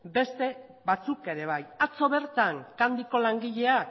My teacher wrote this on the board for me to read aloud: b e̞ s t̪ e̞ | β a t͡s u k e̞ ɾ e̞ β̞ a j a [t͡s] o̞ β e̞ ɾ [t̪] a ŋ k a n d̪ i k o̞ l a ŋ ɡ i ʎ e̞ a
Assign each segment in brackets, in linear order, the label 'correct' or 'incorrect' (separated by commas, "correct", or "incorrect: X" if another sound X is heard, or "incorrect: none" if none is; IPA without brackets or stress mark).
correct, correct